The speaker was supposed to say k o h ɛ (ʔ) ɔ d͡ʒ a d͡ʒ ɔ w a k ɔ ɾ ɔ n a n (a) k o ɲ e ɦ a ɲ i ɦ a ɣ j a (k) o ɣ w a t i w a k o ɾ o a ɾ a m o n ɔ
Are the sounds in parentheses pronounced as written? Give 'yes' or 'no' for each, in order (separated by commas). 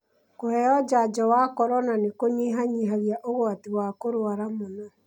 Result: no, no, no